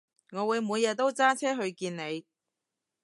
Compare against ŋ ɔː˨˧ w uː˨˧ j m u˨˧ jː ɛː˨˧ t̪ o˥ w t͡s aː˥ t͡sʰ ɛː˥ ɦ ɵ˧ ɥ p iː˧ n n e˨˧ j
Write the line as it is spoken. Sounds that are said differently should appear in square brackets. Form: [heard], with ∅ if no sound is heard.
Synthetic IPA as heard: ŋ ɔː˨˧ w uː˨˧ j m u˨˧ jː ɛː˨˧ t̪ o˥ w t͡s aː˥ t͡sʰ ɛː˥ ɦ ɵ˧ ɥ [k] iː˧ n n e˨˧ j